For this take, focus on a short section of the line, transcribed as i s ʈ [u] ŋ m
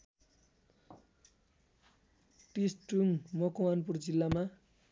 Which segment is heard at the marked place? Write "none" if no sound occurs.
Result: u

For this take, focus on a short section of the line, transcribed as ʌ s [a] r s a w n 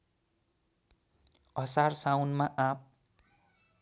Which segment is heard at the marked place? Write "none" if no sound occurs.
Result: a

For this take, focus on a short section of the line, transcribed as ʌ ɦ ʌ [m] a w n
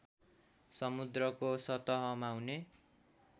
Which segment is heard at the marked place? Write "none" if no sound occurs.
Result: m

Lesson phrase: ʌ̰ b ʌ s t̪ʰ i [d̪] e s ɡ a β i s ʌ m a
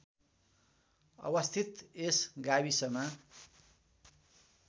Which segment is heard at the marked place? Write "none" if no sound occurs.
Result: t̪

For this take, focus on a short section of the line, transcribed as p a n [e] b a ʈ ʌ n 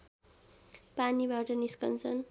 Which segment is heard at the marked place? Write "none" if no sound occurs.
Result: i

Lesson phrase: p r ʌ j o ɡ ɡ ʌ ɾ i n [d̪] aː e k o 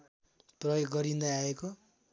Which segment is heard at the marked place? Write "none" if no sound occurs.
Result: d̪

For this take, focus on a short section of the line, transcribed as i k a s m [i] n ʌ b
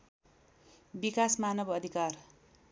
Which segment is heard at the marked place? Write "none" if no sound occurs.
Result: a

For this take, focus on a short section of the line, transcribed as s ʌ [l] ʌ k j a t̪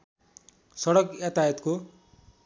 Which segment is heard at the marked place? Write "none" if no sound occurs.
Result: ɽ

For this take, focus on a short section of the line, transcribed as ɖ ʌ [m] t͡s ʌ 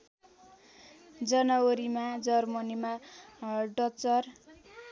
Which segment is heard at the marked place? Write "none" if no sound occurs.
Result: none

